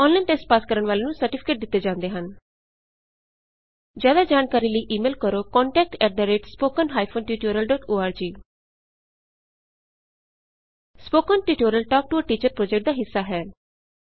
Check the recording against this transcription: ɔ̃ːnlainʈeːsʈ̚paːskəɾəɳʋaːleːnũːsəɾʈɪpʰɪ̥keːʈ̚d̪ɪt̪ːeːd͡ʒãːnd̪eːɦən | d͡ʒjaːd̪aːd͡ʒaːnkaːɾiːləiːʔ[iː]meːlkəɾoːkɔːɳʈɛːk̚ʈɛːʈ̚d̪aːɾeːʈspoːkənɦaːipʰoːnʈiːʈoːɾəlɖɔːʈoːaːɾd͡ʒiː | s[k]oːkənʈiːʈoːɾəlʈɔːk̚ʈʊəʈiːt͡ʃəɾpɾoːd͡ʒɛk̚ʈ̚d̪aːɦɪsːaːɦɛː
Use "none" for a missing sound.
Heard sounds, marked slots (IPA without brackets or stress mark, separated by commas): iː, p